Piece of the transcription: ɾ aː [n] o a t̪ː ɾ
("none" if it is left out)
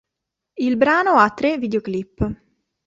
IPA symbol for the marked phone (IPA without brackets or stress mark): n